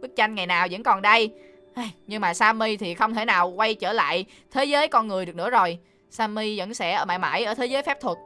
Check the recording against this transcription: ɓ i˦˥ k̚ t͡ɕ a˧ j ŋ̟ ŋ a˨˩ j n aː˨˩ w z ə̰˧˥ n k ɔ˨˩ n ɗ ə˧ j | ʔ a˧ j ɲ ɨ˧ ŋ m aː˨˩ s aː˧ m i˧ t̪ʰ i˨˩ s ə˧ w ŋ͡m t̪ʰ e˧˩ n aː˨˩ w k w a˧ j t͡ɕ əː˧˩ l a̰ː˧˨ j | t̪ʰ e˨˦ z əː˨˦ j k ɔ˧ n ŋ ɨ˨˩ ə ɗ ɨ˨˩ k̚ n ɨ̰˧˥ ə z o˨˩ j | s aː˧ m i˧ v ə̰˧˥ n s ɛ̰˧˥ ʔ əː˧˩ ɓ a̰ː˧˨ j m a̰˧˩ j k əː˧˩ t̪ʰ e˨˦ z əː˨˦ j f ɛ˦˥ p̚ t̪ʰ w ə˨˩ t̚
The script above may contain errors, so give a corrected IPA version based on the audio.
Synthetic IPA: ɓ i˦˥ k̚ t͡ɕ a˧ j ŋ̟ ŋ a˨˩ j n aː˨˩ w z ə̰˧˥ n k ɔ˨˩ n ɗ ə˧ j | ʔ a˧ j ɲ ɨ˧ ŋ m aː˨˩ s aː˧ m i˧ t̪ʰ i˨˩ x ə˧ w ŋ͡m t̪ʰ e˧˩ n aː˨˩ w k w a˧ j t͡ɕ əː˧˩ l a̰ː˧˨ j | t̪ʰ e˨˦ z əː˨˦ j k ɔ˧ n ŋ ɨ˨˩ ə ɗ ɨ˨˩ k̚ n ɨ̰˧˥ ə z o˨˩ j | s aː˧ m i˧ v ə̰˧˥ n s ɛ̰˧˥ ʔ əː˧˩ ɓ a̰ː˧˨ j m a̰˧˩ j ʔ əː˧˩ t̪ʰ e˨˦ z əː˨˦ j f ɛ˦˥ p̚ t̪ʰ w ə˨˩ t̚